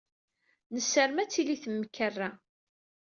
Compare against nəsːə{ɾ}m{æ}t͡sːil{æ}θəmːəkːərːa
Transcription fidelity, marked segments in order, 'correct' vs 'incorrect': correct, correct, incorrect

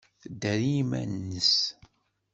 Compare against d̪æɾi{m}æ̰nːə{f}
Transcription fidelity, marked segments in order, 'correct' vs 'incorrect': correct, incorrect

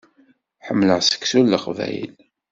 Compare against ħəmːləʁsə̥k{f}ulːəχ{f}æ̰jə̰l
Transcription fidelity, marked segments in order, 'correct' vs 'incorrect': incorrect, incorrect

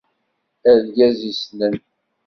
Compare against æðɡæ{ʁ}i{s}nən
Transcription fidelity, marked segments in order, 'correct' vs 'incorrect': incorrect, correct

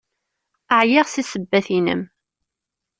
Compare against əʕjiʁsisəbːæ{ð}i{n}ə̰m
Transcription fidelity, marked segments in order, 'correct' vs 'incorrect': incorrect, correct

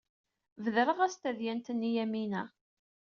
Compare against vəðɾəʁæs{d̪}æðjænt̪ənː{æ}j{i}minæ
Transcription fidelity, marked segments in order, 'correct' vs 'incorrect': incorrect, incorrect, incorrect

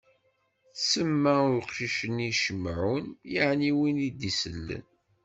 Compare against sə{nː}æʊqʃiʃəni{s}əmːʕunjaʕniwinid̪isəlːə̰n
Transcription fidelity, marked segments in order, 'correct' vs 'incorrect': incorrect, incorrect

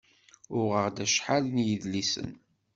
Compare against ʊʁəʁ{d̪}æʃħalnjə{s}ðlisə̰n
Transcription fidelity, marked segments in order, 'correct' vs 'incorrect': correct, incorrect

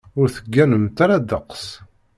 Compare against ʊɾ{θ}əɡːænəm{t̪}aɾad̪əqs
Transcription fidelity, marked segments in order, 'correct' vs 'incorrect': correct, correct

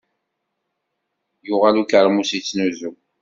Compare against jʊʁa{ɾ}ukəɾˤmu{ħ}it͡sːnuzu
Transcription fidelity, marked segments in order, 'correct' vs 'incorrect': incorrect, incorrect

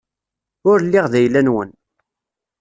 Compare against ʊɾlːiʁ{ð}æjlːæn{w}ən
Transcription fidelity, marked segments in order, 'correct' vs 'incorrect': correct, correct

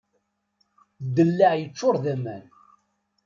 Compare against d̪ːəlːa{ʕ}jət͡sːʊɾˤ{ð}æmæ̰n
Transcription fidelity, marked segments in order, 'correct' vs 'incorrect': correct, correct

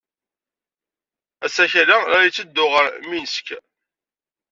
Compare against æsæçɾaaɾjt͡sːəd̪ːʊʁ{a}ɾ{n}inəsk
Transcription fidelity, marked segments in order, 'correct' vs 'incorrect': incorrect, incorrect

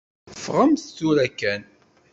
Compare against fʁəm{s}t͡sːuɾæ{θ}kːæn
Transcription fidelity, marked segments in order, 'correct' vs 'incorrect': incorrect, incorrect

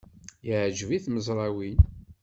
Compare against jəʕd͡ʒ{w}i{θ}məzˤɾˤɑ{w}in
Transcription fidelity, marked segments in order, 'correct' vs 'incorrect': incorrect, correct, correct

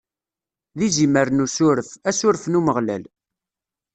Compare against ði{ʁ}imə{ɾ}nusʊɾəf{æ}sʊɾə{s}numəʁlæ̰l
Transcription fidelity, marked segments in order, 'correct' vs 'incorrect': incorrect, correct, correct, incorrect

